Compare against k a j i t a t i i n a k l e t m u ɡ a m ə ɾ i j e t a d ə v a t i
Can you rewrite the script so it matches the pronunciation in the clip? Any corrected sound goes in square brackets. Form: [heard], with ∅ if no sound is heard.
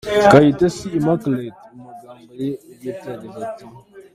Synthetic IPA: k a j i t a [s] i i [m] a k l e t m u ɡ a m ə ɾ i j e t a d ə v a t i

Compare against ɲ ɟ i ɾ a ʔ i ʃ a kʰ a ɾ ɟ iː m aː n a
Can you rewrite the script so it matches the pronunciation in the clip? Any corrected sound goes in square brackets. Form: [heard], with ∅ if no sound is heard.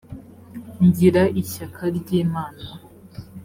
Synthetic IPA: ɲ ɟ i ɾ a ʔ i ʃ a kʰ a ɾ ɟ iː m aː n a

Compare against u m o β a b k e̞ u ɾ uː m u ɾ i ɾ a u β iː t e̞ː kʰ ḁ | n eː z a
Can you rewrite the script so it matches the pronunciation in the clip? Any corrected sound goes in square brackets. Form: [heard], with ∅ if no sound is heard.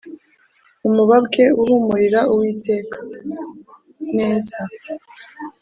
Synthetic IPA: u m [u] β a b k e̞ u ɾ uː m u ɾ i ɾ a u [w] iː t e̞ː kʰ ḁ | n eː z a

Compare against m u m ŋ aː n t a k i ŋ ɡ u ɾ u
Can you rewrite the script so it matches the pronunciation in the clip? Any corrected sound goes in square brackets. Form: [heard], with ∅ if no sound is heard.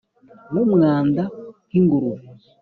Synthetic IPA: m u m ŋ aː n [d] a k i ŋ ɡ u ɾ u

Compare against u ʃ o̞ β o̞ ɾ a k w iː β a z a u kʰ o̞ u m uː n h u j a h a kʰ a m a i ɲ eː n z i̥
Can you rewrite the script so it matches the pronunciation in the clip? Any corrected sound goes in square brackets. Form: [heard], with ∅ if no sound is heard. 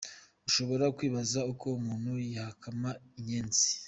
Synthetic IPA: u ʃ o̞ β o̞ ɾ a k w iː β a z a u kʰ o̞ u m uː n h u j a h a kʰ a m a i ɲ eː n z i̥

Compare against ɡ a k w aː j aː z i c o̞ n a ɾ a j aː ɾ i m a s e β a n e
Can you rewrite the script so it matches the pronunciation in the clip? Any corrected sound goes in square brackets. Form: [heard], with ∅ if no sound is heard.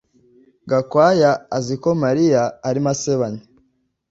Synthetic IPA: ɡ a k w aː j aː z i [k] o̞ [m] a ɾ [i] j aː ɾ i m a s e β a [ɲ] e

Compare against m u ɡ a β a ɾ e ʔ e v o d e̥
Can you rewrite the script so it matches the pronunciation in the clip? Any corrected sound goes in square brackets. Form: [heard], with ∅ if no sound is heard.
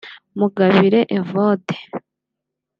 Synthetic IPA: m u ɡ a β [i] ɾ e ʔ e v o d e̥

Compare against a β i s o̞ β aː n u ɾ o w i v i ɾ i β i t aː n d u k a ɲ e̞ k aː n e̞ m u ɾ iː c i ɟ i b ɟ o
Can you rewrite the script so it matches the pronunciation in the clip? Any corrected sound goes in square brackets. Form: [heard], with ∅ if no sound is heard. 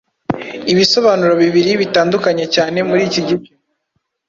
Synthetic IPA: [i] β i s o̞ β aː n u ɾ o [β] i [β] i ɾ i β i t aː n d u k a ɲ e̞ [c] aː n e̞ m u ɾ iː c i ɟ i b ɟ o

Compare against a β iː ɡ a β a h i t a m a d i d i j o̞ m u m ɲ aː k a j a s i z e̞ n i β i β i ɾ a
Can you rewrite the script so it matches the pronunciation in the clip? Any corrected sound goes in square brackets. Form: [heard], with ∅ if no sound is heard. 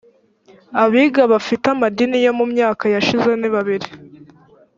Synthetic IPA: a β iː ɡ a β a [f] i t a m a d i [n] i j o̞ m u m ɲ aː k a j a [ʃ] i z e̞ n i β [a] β i ɾ [i]

